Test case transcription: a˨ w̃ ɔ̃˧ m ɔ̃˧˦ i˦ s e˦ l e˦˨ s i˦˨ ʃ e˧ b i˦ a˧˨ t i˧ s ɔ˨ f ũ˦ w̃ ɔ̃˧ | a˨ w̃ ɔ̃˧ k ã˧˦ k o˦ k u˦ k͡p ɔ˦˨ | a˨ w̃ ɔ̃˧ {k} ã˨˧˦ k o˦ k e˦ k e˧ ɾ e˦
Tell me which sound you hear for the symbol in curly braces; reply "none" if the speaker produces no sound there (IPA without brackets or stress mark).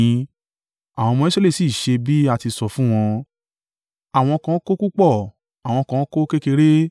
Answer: k